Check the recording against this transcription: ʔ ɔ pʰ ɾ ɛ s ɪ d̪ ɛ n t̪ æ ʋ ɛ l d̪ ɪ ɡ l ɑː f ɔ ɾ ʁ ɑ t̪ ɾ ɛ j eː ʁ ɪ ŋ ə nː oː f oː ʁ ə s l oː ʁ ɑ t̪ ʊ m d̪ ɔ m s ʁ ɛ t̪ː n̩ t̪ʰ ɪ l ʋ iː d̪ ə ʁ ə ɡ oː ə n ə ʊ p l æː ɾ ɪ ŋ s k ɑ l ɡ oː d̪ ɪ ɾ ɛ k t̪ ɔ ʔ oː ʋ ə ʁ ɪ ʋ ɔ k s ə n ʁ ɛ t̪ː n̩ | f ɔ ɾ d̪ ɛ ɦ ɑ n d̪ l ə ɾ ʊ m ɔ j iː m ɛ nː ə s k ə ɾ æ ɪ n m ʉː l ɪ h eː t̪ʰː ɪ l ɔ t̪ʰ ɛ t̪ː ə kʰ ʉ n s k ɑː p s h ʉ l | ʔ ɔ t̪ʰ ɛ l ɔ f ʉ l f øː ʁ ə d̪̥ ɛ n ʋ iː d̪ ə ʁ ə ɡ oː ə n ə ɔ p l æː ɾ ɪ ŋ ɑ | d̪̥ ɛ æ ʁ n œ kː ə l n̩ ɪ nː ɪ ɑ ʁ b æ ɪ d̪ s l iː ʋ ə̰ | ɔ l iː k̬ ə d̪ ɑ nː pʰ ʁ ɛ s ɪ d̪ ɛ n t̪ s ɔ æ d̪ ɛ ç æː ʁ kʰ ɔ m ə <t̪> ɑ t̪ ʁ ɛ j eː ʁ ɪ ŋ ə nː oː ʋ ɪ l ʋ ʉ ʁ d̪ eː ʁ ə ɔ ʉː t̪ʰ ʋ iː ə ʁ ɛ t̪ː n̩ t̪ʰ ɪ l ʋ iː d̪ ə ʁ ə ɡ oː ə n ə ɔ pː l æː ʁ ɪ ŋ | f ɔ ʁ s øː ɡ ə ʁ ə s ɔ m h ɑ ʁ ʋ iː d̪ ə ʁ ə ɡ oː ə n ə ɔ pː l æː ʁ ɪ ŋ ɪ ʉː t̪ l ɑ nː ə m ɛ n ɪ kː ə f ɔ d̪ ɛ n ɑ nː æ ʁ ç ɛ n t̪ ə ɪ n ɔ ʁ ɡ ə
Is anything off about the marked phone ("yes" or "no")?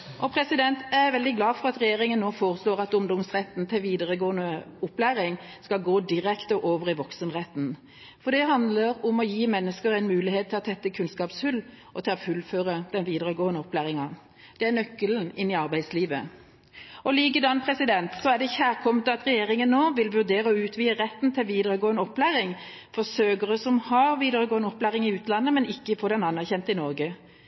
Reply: no